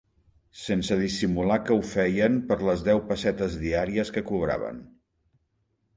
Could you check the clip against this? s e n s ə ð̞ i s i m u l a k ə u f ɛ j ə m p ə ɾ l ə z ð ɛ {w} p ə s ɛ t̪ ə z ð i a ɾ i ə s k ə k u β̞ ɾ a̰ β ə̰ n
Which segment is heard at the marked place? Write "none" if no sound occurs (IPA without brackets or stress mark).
w